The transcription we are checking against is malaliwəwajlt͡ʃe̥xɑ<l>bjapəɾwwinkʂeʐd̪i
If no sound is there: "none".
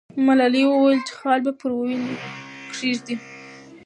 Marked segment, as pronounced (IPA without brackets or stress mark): l